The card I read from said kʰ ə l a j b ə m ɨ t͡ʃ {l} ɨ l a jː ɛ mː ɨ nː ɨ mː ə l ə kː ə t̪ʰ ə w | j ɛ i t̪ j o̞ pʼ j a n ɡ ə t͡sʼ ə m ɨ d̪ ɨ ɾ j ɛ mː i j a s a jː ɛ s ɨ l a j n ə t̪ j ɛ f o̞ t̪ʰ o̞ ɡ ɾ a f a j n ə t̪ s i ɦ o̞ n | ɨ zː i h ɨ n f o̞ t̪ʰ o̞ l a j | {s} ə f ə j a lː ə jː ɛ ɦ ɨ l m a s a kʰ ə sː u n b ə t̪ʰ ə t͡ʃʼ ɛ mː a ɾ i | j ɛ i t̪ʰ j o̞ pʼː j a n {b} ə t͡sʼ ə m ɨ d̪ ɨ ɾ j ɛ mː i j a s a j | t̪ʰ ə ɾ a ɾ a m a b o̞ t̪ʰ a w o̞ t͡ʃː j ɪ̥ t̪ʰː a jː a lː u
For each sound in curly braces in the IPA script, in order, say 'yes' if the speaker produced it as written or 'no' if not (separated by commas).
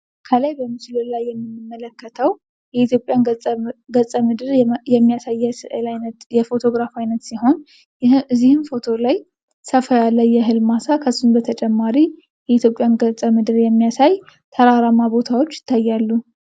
yes, yes, no